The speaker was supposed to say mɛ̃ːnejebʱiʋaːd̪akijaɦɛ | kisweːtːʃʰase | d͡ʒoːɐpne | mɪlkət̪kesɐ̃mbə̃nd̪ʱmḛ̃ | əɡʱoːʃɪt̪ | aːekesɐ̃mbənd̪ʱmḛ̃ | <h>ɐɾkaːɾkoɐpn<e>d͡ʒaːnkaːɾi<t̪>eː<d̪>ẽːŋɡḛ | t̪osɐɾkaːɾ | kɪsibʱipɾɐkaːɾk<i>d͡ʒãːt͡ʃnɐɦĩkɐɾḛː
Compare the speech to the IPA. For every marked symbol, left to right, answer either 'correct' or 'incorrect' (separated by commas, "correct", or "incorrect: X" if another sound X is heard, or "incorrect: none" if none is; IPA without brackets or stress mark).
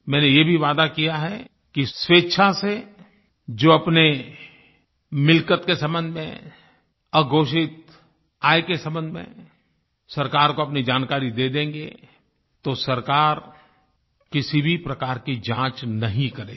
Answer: incorrect: s, incorrect: i, incorrect: d̪, correct, correct